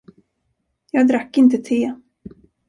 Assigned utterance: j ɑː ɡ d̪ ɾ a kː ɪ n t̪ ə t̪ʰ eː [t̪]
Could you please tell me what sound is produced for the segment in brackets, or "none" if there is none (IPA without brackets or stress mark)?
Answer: none